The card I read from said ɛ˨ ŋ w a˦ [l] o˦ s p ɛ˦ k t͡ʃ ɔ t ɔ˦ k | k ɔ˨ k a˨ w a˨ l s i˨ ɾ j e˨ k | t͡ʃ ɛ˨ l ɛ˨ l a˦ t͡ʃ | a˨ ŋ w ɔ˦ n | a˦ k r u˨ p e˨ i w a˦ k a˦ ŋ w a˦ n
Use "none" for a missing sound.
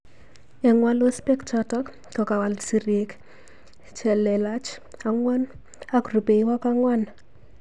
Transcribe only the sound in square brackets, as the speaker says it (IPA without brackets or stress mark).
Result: l